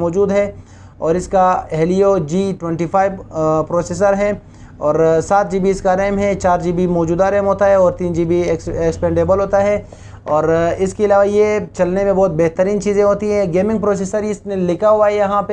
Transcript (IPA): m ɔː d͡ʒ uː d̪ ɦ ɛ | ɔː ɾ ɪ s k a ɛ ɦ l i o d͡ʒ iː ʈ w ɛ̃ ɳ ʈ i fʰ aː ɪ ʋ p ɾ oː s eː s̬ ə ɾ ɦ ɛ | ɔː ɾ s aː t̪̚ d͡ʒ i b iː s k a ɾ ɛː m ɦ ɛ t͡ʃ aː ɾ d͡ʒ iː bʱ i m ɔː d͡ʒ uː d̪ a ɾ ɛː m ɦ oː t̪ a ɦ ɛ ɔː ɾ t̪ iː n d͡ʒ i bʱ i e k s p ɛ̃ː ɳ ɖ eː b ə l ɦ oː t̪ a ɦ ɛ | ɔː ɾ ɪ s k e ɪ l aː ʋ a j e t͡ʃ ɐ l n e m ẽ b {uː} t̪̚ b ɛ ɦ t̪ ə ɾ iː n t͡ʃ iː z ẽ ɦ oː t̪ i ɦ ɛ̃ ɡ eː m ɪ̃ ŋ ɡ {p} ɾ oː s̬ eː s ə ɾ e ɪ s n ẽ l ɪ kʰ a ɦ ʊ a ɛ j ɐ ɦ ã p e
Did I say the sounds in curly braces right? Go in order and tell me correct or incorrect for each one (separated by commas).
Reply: incorrect, correct